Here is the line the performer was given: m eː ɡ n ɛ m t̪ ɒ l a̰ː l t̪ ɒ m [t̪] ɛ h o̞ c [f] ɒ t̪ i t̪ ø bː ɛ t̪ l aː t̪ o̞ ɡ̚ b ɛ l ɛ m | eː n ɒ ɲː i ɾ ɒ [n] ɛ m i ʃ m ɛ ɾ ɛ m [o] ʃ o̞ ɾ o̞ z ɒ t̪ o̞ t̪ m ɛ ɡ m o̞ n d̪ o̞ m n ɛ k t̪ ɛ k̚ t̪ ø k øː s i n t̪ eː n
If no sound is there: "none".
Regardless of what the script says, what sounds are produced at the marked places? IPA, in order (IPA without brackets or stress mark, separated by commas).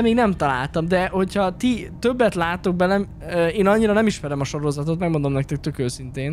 d̪, h, n, ɒ